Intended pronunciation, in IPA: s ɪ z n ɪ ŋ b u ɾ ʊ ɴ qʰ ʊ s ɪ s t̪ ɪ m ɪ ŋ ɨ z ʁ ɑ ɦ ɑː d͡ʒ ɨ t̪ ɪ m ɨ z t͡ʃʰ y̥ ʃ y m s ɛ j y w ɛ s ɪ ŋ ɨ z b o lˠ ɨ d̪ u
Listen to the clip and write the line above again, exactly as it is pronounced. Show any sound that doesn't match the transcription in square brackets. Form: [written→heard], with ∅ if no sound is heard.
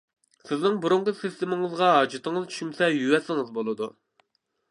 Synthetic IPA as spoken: s ɪ z n ɪ ŋ b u ɾ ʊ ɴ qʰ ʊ s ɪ s t̪ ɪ m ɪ ŋ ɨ z ʁ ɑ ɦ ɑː d͡ʒ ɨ t̪ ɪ [m→ŋ] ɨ z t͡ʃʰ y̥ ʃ y m s ɛ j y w ɛ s ɪ ŋ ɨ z b o lˠ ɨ d̪ u